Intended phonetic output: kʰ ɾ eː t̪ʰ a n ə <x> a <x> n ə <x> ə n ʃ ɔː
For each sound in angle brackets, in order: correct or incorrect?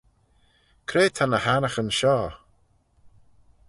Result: incorrect, incorrect, correct

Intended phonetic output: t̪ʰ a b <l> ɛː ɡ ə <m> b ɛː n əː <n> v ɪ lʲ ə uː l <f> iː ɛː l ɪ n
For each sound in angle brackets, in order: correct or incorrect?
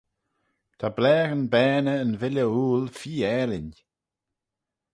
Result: correct, incorrect, correct, correct

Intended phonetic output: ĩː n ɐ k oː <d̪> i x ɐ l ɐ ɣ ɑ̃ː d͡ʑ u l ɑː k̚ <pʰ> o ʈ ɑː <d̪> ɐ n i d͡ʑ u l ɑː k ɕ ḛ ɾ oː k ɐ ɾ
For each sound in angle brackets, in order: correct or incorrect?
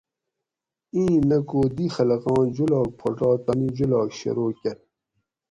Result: correct, correct, incorrect

